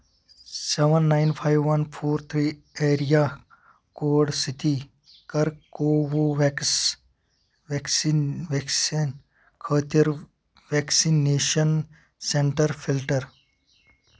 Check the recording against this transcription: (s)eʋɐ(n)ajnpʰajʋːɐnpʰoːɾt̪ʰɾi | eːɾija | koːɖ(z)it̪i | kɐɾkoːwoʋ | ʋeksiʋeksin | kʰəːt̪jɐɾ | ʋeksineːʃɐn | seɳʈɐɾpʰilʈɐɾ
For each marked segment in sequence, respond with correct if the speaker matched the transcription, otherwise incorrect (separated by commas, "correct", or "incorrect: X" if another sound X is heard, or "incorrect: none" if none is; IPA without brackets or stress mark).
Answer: correct, incorrect: nː, incorrect: s